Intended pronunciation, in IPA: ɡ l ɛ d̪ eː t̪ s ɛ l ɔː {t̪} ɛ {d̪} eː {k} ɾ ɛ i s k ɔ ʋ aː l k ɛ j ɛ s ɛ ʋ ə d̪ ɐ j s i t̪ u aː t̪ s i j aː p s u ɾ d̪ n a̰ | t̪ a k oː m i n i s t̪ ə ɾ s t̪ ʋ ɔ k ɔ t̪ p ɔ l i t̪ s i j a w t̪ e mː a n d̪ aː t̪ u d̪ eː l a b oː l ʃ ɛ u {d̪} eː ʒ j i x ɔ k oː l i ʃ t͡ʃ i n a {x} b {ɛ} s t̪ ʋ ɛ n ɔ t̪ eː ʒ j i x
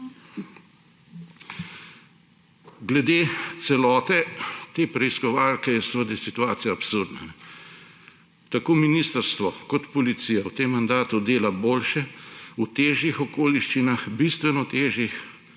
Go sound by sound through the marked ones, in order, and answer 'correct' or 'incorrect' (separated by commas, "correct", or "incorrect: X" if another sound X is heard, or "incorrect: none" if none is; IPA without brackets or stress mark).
correct, incorrect: t̪, incorrect: p, incorrect: t̪, correct, incorrect: i